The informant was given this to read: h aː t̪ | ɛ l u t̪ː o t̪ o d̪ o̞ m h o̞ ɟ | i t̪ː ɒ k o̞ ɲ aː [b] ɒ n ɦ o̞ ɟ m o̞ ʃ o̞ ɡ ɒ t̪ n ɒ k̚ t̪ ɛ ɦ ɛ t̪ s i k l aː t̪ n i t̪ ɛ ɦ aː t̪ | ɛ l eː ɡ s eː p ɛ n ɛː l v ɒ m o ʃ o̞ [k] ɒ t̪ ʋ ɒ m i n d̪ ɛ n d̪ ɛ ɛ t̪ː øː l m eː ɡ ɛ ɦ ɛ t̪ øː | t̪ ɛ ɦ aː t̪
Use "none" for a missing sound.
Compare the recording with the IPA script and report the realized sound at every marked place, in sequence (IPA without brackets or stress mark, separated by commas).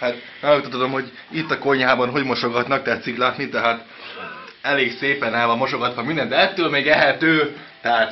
b, ɡ